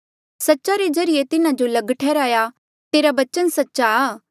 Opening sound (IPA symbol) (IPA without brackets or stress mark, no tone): s